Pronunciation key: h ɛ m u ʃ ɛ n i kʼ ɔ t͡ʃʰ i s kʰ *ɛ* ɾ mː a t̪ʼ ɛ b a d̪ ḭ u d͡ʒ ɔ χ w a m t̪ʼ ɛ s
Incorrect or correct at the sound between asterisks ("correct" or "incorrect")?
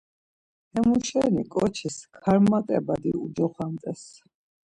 incorrect